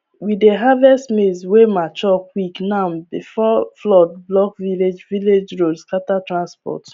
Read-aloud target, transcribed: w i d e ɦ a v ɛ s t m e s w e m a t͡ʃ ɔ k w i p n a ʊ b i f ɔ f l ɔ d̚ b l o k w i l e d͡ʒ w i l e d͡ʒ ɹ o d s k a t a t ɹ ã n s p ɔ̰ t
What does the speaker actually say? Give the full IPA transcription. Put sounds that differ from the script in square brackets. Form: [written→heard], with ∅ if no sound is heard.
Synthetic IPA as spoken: w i d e ɦ a v ɛ s t m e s w e m a t͡ʃ ɔ k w i [p→k] n a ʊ b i f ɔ f l ɔ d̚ b l [o→ɔ] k [w→v] i l e d͡ʒ [w→v] i l e d͡ʒ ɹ o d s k a t a t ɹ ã n s p ɔ̰ t